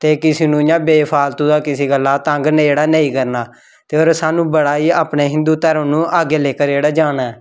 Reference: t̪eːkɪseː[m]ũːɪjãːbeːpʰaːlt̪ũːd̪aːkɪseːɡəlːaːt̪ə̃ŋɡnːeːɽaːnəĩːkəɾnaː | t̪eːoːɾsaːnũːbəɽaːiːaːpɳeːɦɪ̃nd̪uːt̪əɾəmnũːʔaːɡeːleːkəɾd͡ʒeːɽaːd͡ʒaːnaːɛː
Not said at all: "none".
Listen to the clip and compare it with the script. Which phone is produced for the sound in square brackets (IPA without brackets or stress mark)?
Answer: n